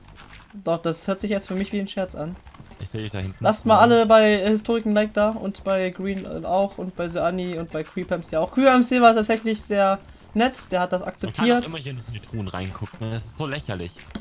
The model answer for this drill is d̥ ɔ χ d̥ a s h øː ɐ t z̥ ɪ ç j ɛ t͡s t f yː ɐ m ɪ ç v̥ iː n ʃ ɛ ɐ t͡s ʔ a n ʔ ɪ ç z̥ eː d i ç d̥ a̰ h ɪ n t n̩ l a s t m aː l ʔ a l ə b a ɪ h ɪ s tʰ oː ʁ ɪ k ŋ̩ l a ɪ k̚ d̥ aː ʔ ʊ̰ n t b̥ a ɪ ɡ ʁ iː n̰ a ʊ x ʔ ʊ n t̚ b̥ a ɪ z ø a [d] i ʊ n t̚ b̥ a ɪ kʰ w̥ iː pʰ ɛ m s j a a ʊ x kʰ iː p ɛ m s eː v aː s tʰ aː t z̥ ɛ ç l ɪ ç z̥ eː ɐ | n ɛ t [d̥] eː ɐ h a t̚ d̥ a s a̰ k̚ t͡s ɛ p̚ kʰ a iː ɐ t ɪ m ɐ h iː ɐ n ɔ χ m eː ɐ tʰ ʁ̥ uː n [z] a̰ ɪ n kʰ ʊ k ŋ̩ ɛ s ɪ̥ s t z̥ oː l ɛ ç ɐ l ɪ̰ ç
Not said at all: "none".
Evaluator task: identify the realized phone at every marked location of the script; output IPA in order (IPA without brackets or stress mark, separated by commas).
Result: n, d̥, ʁ